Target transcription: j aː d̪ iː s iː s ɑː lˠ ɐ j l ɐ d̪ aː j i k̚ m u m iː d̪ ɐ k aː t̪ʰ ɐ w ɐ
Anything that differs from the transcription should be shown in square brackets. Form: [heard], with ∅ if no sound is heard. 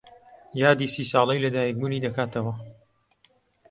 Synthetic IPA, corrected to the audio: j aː d̪ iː s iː s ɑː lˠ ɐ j l ɐ d̪ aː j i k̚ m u [n] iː d̪ ɐ k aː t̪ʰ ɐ w ɐ